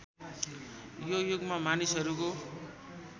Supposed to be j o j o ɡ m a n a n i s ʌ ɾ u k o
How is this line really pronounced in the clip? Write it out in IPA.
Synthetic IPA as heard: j o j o ɡ m a m a n i s ʌ ɾ u k o